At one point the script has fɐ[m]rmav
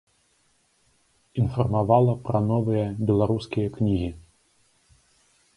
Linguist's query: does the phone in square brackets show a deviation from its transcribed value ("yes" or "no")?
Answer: yes